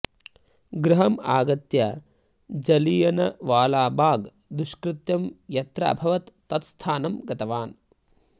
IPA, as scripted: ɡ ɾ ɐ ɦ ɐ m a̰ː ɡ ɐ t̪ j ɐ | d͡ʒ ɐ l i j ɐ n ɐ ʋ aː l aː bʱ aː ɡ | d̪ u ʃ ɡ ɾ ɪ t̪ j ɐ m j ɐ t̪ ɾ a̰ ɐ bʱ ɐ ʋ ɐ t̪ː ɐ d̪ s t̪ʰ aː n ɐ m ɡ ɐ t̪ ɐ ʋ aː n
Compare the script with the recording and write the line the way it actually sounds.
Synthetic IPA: ɡ ɾ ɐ ɦ ɐ m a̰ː ɡ ɐ t̪ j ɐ | d͡ʒ ɐ l i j ɐ n ɐ ʋ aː l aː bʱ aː ɡ | d̪ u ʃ k ɾ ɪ t̪ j ɐ m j ɐ t̪ ɾ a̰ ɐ bʱ ɐ ʋ ɐ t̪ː ɐ t̪ s t̪ʰ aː n ɐ m ɡ ɐ t̪ ɐ ʋ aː n